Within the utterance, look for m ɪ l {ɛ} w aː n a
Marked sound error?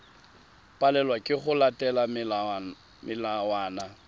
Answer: yes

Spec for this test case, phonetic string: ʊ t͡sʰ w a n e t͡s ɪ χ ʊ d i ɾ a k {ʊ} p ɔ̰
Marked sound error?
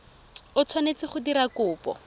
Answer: yes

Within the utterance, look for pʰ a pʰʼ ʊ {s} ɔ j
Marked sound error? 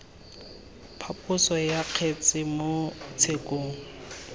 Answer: no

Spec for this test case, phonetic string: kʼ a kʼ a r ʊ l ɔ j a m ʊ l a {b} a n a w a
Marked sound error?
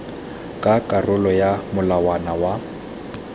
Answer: yes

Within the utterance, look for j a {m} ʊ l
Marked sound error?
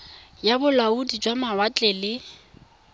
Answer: yes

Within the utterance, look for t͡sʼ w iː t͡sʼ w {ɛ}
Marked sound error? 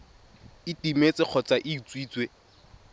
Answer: yes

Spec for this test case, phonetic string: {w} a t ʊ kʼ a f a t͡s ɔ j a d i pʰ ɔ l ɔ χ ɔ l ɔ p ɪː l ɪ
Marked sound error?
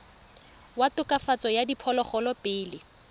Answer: no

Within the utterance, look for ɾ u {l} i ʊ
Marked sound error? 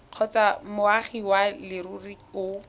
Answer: yes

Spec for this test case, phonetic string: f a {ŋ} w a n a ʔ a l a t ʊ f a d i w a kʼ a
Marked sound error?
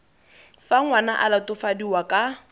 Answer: no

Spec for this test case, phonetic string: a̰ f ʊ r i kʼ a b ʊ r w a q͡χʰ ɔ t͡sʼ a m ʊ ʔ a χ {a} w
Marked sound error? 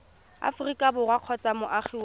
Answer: yes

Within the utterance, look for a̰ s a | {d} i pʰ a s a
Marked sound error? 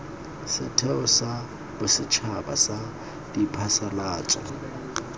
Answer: no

